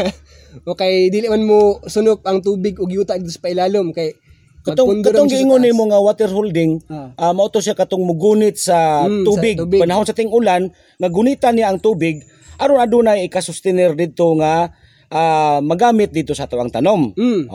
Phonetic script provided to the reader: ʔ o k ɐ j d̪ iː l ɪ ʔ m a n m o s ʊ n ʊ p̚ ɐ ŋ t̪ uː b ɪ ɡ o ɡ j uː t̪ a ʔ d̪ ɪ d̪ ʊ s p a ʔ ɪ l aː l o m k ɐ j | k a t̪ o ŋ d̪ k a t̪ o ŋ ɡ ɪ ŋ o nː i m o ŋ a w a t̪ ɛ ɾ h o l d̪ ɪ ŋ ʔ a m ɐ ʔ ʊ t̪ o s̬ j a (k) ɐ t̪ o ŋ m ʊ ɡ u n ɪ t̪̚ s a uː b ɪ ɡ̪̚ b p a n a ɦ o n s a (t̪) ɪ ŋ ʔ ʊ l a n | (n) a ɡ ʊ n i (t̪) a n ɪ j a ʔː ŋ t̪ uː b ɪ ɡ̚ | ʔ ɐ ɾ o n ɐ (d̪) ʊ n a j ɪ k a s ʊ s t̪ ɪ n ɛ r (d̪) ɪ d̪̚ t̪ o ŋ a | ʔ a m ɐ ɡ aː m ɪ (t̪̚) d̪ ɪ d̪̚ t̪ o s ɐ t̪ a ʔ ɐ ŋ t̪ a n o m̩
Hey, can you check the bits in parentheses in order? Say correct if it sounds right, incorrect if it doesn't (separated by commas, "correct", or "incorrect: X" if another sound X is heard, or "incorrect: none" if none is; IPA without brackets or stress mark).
correct, correct, incorrect: ŋ, correct, correct, correct, correct